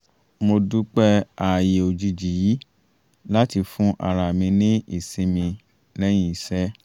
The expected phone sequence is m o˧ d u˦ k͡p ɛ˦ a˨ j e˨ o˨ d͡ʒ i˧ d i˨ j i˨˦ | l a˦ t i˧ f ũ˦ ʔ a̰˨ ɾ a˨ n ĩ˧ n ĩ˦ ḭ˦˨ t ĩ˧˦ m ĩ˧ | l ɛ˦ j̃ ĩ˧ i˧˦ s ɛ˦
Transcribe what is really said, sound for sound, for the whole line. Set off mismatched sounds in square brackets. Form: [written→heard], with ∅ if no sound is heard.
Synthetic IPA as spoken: m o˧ d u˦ k͡p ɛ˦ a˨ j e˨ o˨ d͡ʒ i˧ [d→d͡ʒ] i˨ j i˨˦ | l a˦ t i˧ f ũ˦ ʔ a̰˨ ɾ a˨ [n→m] ĩ˧ n ĩ˦ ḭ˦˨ [t→s] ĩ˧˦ m ĩ˧ | l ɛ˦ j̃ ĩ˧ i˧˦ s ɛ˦